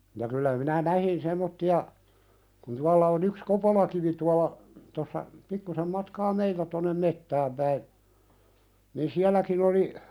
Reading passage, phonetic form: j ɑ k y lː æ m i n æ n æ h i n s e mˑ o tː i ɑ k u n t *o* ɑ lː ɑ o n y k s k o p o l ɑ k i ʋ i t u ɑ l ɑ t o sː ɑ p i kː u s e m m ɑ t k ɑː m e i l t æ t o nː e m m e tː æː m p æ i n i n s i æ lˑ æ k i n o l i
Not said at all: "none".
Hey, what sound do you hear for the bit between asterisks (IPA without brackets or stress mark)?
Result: u